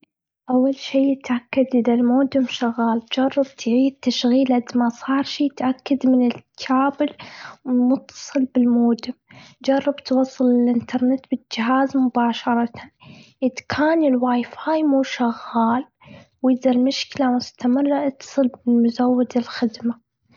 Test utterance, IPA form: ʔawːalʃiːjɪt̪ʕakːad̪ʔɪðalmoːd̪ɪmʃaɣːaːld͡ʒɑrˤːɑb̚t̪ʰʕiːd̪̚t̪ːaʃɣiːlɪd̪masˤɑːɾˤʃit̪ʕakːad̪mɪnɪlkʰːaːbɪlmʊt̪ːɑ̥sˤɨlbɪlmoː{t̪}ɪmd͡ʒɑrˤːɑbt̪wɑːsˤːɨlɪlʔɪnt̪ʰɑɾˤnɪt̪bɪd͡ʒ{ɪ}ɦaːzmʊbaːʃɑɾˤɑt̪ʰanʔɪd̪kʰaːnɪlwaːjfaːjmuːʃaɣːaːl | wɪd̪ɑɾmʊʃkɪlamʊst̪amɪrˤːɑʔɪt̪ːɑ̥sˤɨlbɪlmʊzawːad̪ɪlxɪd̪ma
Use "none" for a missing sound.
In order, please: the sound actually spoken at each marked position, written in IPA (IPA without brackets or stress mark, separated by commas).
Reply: d̪, ɪ